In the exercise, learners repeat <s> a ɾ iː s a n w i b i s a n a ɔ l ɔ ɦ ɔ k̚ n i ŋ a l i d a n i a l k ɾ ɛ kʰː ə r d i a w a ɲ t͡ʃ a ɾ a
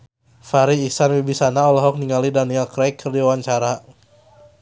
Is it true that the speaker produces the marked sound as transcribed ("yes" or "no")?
no